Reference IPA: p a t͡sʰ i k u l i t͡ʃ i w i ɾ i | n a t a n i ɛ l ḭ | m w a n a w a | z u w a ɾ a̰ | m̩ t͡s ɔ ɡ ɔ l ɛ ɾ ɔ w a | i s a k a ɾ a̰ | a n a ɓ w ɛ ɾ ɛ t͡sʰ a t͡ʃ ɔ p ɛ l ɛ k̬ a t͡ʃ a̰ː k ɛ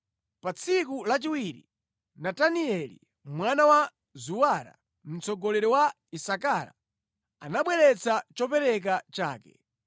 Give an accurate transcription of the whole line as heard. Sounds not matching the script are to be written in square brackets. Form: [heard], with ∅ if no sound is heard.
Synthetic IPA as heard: p a t͡sʰ i k u l [a] t͡ʃ i w i ɾ i | n a t a n i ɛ l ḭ | m w a n a w a | z u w a ɾ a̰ | m̩ t͡s ɔ ɡ ɔ l ɛ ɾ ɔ w a | i s a k a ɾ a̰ | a n a ɓ w ɛ ɾ ɛ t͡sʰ a t͡ʃ ɔ p ɛ [ɾ] ɛ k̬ a t͡ʃ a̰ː k ɛ